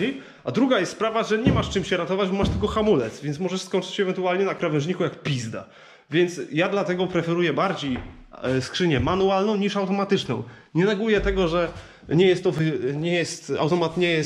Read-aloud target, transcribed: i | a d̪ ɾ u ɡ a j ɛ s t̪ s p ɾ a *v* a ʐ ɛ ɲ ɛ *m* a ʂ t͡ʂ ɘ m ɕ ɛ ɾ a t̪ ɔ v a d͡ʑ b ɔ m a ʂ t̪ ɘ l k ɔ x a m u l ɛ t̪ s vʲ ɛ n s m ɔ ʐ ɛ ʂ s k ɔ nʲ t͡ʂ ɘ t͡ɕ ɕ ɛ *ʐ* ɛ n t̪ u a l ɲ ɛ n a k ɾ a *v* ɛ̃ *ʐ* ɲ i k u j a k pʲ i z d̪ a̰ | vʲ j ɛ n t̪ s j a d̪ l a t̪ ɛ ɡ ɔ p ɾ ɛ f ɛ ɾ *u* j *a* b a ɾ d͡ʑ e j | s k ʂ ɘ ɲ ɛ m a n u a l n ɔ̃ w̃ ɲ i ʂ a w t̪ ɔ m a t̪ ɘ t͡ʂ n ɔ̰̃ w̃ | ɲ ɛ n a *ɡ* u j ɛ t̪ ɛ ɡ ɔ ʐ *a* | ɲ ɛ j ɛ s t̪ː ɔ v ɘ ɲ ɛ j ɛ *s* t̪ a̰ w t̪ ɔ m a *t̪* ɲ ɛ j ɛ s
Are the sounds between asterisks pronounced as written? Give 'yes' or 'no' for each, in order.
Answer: yes, yes, no, yes, yes, yes, no, yes, no, yes, yes

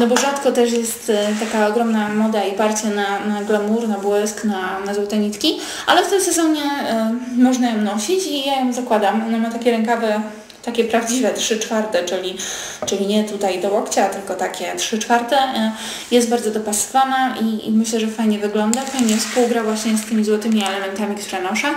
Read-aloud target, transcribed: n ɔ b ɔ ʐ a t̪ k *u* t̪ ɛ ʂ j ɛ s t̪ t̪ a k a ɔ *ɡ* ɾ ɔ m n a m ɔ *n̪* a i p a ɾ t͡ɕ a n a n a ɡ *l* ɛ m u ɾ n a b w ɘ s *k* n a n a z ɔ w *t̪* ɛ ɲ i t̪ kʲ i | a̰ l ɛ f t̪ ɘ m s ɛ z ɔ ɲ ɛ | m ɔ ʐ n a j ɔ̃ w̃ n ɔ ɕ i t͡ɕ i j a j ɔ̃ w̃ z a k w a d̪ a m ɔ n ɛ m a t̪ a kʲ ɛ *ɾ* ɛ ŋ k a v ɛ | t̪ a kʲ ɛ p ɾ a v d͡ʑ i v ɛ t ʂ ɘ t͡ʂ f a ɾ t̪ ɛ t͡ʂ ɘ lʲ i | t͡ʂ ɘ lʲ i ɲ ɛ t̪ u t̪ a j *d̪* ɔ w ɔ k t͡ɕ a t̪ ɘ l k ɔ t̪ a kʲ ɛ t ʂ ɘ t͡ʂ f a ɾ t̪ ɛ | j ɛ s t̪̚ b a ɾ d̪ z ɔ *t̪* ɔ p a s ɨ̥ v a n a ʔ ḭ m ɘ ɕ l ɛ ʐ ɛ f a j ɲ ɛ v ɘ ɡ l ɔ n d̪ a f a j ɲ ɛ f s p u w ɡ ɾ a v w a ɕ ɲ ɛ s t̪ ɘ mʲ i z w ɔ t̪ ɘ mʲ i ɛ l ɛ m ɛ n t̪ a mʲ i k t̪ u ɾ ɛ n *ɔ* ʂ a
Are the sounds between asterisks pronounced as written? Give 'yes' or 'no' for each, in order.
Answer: no, yes, no, yes, yes, yes, yes, yes, no, yes

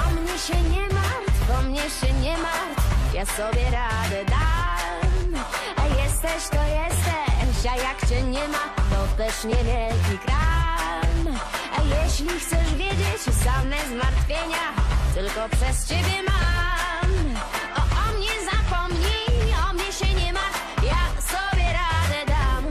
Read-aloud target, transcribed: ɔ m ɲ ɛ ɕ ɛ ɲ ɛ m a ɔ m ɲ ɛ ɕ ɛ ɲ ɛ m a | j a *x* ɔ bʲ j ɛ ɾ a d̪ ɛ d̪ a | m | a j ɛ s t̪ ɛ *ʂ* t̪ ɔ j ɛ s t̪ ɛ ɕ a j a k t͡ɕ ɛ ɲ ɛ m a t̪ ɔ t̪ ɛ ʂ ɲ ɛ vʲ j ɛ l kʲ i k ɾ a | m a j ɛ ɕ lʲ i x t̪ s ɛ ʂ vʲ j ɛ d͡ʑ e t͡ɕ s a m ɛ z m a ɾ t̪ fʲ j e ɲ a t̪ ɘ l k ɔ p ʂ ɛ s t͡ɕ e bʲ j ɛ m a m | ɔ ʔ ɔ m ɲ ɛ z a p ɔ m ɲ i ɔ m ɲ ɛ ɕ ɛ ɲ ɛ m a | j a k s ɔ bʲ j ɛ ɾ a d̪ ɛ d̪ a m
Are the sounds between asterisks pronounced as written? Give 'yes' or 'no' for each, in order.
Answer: no, no

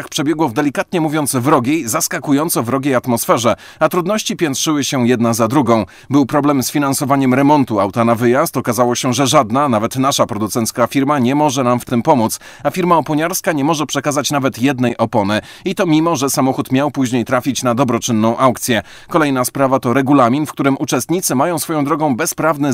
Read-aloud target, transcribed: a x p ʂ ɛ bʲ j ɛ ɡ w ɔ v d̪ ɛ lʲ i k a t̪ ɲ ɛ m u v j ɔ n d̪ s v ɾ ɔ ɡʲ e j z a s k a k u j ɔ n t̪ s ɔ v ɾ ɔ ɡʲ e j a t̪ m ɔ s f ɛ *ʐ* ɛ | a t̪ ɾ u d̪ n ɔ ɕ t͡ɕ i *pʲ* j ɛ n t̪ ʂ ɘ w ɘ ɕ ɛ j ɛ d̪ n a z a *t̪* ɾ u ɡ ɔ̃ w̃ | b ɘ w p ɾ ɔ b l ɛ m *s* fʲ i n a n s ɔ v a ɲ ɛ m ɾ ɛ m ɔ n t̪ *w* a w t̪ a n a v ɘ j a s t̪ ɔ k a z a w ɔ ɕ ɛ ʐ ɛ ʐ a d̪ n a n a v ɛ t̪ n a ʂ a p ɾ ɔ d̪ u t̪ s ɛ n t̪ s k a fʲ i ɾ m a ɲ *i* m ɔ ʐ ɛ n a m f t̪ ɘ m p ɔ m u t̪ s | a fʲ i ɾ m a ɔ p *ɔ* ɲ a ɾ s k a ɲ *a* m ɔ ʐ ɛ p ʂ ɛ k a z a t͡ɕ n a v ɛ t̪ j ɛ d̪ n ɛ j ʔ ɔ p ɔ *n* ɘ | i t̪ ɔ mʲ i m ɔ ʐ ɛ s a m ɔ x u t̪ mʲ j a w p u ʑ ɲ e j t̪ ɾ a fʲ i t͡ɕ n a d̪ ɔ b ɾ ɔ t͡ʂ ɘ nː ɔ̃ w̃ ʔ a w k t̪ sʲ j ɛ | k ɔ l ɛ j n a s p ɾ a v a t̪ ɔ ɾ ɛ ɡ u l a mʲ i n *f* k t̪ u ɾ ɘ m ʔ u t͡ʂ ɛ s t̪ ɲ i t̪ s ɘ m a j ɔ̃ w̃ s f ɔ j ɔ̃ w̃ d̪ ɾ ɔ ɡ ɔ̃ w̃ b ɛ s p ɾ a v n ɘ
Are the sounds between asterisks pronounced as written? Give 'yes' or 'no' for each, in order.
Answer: yes, yes, no, yes, no, no, yes, no, yes, yes

